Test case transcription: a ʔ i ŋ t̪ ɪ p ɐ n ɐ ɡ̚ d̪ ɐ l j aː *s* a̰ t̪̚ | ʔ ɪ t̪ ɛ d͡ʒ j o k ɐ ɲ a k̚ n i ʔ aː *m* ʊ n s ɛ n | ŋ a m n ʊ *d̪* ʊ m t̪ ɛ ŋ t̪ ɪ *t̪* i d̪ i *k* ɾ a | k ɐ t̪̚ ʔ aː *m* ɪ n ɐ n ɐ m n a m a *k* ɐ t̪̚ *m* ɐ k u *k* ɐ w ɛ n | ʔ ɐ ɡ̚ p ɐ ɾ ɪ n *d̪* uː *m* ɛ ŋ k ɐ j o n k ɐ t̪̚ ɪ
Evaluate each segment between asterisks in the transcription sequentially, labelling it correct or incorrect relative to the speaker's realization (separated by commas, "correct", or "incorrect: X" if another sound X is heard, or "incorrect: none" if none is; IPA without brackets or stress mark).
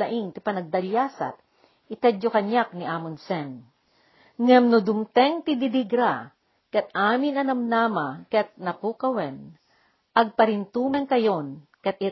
correct, correct, correct, incorrect: d̪, incorrect: ɡ, correct, correct, incorrect: n, correct, incorrect: t̪, correct